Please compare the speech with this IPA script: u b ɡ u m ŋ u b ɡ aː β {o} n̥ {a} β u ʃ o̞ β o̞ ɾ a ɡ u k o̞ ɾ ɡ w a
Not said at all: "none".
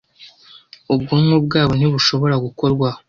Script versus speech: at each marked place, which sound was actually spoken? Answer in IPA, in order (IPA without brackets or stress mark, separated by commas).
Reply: o, i